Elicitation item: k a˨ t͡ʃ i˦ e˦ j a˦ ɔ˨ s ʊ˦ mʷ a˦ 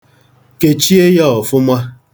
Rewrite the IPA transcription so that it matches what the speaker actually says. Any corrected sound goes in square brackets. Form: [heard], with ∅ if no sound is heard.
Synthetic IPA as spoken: k [e˨] t͡ʃ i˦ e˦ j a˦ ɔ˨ [f] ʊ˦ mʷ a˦